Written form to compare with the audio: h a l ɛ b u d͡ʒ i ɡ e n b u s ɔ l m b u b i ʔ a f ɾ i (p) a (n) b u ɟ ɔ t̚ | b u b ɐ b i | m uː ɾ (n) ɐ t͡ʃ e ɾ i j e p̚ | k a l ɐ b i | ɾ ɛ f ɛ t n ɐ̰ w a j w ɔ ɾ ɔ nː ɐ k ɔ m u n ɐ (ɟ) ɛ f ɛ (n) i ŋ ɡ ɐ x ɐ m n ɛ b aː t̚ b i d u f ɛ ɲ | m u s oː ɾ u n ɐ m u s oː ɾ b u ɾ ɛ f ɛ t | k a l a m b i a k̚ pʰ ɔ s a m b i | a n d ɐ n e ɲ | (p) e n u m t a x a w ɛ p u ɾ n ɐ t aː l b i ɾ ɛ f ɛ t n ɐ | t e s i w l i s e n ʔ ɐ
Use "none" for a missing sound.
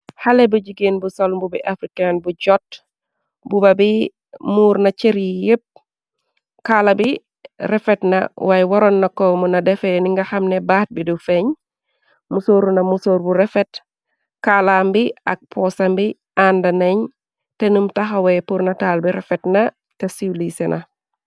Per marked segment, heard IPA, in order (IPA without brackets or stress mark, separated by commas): k, n, n, d, n, t